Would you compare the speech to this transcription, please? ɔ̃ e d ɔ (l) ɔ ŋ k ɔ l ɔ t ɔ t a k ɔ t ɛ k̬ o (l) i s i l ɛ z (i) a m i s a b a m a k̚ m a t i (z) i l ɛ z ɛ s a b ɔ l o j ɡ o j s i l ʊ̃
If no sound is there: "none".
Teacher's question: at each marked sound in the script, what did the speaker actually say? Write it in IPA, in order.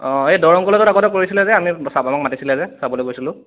ɹ, ɹ, ɛ, s

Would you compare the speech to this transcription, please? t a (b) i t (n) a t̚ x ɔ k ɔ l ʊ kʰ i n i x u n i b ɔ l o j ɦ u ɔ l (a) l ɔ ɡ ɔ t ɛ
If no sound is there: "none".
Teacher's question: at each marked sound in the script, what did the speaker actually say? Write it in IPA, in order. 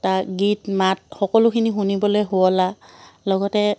ɡ, m, a

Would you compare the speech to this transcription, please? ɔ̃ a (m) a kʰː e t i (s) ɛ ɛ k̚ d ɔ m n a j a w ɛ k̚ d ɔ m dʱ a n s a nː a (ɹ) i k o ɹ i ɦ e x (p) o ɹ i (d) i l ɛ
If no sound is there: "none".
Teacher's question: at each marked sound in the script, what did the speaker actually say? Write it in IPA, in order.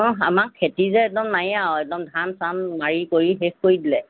m, z, ɹ, k, d

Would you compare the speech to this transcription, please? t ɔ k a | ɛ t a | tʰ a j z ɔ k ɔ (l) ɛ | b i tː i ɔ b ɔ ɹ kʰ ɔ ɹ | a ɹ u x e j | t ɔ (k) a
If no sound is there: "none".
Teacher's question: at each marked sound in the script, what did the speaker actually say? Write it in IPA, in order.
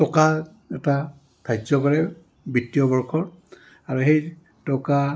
ɹ, k

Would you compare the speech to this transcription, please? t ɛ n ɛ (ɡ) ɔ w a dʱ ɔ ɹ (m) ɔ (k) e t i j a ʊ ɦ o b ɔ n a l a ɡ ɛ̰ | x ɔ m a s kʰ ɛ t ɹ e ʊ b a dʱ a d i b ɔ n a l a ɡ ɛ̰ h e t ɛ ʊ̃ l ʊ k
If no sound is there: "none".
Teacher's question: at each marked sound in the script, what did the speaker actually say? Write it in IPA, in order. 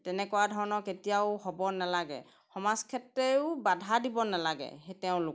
k, n, k

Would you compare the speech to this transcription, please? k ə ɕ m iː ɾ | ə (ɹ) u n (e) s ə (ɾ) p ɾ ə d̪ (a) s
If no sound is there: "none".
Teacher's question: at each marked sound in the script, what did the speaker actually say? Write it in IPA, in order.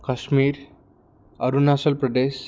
ɾ, a, l, e

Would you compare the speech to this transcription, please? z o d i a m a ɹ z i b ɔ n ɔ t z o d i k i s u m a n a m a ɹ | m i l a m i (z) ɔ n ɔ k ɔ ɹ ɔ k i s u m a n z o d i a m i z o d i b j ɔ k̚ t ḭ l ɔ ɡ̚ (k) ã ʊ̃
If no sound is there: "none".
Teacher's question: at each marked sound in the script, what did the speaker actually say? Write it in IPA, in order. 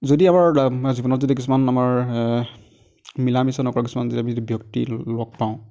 s, p

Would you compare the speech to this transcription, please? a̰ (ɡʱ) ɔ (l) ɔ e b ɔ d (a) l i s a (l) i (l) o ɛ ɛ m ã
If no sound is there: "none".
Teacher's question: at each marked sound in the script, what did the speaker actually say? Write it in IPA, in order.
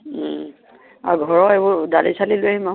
ɡʱ, ɹ, a, l, l

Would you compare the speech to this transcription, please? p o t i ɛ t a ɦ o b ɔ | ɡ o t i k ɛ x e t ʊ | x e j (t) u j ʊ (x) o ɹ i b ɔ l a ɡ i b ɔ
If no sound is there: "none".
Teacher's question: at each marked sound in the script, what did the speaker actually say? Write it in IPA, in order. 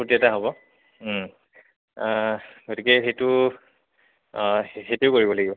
t, k

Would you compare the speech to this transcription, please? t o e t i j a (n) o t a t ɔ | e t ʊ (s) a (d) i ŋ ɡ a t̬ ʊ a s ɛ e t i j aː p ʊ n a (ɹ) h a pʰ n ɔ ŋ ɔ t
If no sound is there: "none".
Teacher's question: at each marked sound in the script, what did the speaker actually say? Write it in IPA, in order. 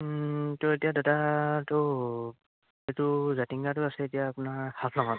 d, z, t, ɹ

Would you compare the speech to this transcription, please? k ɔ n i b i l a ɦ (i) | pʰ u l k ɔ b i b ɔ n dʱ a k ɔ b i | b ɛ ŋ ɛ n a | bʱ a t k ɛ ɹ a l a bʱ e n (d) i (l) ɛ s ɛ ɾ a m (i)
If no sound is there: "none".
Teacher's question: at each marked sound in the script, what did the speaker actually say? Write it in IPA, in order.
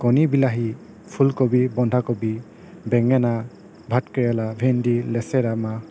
i, d, l, a

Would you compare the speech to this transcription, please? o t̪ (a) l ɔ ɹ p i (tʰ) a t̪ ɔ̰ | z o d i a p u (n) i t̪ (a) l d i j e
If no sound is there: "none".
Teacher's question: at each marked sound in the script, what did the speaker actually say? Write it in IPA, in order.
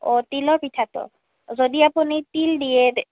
i, tʰ, n, i

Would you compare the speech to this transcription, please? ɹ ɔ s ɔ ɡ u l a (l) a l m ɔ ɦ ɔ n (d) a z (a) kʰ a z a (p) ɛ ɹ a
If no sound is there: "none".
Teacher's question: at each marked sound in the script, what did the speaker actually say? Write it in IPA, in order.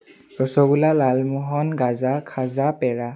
l, ɡ, a, p

